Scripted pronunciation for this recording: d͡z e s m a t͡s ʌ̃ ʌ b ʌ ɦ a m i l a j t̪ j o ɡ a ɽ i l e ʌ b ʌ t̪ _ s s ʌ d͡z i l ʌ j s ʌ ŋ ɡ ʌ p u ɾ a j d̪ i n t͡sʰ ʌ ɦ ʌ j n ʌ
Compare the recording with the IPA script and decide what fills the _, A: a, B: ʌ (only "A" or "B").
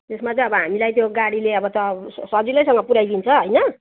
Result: B